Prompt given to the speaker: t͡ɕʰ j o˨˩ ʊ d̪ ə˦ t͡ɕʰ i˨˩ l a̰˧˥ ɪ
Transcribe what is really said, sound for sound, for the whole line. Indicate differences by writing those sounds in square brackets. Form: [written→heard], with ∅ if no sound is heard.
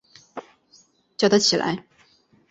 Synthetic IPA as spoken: [t͡ɕʰ→t͡ɕ] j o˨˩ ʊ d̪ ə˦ t͡ɕʰ i˨˩ l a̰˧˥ ɪ